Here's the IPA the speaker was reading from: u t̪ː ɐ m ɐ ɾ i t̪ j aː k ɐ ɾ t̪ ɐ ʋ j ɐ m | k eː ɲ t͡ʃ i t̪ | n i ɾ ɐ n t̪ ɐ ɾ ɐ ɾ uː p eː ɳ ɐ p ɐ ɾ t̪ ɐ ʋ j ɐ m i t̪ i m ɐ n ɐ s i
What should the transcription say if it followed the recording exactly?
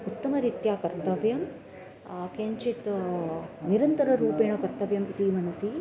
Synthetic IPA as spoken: u t̪ː ɐ m ɐ ɾ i t̪ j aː k ɐ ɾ t̪ ɐ ʋ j ɐ m | k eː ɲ t͡ʃ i t̪ | n i ɾ ɐ n t̪ ɐ ɾ ɐ ɾ uː p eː ɳ ɐ k ɐ ɾ t̪ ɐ ʋ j ɐ m i t̪ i m ɐ n ɐ s i

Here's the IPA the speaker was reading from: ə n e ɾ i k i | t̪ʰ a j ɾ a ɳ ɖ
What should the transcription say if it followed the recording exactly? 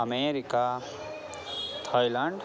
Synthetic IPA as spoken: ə m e ɾ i k a | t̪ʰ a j l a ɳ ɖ

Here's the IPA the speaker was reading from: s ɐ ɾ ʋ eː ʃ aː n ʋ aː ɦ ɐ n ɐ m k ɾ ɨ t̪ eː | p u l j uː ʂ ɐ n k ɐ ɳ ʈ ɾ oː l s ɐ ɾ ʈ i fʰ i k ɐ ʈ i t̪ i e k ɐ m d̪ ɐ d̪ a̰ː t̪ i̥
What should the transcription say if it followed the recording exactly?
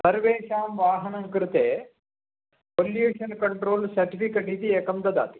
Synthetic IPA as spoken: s ɐ ɾ ʋ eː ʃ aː m ʋ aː ɦ ɐ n ɐ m k ɾ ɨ t̪ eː | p o l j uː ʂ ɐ n k ɐ ɳ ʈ ɾ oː l s ɐ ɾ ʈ i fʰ i k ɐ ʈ i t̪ i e k ɐ m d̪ ɐ d̪ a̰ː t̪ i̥

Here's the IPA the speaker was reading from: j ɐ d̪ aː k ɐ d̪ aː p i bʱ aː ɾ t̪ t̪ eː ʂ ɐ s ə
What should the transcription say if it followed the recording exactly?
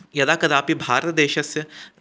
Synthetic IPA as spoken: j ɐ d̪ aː k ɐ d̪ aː p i bʱ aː ɾ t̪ d̪ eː ʃ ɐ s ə

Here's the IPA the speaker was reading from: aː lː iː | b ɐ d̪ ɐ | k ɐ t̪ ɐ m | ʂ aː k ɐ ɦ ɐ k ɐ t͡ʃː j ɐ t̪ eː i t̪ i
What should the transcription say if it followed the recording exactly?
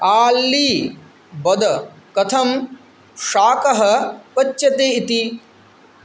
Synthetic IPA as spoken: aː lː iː | b ɐ d̪ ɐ | k ɐ t̪ʰ ɐ m | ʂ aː k ɐ ɦ ɐ p ɐ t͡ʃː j ɐ t̪ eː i t̪ i

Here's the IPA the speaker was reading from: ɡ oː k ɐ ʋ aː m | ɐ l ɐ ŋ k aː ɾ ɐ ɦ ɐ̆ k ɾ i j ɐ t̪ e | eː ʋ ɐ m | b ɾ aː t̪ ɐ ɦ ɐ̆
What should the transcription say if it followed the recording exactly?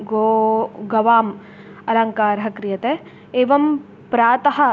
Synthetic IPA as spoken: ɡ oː ɡ ɐ ʋ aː m | ɐ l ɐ ŋ k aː ɾ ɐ ɦ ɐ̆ k ɾ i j ɐ t̪ e | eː ʋ ɐ m | p ɾ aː t̪ ɐ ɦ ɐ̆

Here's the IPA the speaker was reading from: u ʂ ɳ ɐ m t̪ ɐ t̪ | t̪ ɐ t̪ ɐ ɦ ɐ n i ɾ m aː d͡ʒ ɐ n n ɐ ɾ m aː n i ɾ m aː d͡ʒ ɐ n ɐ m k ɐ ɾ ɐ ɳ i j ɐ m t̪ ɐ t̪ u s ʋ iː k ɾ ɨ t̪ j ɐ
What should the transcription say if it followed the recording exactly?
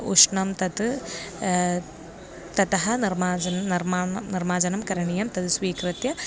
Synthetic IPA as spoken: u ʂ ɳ ɐ m t̪ ɐ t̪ | t̪ ɐ t̪ ɐ ɦ ɐ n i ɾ m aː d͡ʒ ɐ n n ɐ ɾ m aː n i ɾ m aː d͡ʒ ɐ n ɐ m k ɐ ɾ ɐ ɳ i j ɐ m t̪ ɐ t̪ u s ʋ iː k ɾ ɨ t̪ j ɐ

